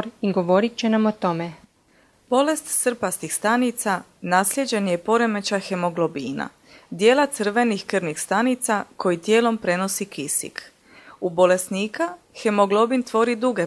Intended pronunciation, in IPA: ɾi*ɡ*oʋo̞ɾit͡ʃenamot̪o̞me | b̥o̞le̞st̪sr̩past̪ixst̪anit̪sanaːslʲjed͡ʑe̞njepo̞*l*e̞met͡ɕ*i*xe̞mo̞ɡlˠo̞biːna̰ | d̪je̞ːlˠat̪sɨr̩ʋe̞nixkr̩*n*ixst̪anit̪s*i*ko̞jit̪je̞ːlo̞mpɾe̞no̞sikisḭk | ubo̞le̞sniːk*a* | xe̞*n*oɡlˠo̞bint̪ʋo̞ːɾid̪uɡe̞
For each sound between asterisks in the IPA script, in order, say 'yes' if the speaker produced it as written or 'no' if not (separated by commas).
yes, no, no, yes, no, yes, no